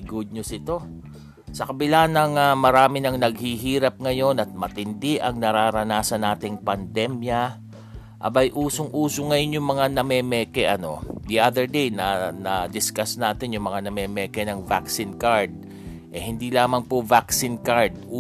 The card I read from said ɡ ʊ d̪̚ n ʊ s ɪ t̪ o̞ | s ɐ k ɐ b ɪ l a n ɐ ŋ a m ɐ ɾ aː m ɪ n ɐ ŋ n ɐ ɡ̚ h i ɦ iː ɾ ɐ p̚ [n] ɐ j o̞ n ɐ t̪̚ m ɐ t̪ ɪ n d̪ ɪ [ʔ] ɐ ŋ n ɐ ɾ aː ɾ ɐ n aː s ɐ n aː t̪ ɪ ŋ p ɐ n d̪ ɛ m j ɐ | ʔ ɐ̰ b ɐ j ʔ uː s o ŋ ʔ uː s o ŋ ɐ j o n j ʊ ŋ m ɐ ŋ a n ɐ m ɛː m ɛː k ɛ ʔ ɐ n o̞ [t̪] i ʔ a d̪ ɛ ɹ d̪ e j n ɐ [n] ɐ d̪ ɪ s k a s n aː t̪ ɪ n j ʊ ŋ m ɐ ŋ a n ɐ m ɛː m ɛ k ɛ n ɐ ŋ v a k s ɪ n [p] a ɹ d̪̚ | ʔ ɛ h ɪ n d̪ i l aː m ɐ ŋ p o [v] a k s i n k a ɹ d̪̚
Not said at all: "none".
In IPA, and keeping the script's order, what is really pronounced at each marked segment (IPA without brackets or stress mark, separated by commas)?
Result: ŋ, ʔ, d̪, n, k, v